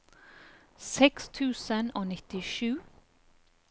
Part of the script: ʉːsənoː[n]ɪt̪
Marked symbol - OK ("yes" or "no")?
yes